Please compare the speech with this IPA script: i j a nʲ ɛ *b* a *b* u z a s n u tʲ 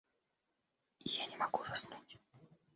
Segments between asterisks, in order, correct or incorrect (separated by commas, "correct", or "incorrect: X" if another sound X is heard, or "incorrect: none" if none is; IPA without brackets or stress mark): incorrect: m, incorrect: ɡ